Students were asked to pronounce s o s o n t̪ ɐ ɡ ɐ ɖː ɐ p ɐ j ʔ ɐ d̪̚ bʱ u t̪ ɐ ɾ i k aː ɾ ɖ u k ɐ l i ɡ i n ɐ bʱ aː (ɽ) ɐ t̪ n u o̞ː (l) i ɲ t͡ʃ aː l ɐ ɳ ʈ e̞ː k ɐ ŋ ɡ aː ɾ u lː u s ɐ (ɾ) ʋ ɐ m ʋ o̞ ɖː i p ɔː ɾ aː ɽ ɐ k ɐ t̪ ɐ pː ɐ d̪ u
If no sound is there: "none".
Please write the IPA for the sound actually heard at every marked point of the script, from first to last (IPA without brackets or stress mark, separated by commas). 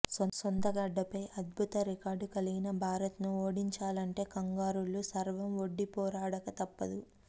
ɾ, ɽ, ɾ